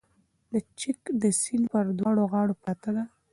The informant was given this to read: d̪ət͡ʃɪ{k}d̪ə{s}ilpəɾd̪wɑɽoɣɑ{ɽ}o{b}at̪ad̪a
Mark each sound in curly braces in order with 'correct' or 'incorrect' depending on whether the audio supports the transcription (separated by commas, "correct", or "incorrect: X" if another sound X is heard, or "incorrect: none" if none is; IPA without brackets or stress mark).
correct, correct, correct, incorrect: p